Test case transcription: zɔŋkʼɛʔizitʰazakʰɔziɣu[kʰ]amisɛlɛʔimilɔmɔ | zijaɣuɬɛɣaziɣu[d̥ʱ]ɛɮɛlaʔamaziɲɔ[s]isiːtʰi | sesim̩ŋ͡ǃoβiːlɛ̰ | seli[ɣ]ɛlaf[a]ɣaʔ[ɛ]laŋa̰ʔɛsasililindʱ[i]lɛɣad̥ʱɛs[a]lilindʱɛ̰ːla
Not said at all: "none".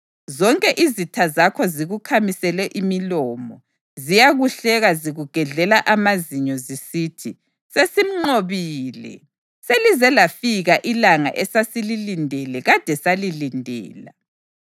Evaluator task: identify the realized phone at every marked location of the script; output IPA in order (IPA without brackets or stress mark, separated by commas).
kʰ, ɡ̥ʱ, z, z, i, i, ɛ, a